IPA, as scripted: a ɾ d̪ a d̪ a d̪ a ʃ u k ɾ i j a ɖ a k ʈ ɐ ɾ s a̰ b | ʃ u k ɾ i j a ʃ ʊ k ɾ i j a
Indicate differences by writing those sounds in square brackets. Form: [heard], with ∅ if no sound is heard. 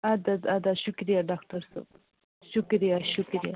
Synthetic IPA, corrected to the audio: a [∅] d̪ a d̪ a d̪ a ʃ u k ɾ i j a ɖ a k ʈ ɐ ɾ s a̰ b | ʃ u k ɾ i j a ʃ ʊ k ɾ i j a